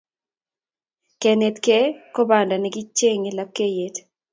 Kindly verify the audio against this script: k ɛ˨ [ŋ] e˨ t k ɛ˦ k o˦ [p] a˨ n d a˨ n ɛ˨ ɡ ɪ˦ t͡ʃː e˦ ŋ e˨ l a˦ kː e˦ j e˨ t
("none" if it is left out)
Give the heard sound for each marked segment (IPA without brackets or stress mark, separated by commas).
n, b